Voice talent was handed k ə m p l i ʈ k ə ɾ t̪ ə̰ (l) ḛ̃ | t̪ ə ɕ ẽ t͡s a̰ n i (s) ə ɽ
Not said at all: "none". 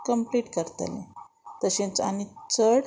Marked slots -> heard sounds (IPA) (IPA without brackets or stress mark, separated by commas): l, t͡s